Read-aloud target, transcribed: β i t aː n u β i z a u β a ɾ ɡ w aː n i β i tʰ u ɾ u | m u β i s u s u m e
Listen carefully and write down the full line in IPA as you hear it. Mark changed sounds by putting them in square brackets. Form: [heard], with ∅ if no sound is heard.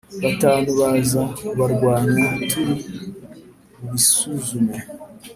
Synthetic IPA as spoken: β [a] t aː n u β [a] z a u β a ɾ ɡ w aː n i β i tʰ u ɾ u | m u β i s u [z] u m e